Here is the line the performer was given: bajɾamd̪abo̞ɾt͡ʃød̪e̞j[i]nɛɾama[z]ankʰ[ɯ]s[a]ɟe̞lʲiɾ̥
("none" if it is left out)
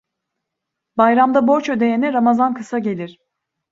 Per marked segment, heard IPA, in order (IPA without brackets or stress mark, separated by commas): e, z, ɯ, a